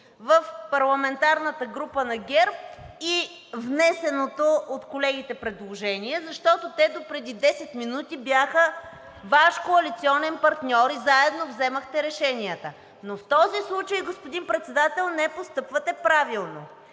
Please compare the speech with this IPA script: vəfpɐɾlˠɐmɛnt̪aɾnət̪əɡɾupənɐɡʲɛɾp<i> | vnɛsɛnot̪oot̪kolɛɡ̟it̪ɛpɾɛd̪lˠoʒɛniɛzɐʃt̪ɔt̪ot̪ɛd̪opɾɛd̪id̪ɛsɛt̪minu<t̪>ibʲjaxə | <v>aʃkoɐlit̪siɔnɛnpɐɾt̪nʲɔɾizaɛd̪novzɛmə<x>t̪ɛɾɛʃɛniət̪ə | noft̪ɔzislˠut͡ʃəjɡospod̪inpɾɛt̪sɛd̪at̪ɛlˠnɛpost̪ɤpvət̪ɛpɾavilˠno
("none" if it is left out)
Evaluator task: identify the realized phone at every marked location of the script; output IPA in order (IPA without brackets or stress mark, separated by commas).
i, t̪, v, x